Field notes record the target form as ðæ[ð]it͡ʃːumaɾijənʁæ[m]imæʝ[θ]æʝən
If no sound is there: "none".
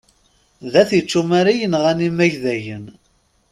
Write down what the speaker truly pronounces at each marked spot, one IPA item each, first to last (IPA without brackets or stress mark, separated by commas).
θ, n, ð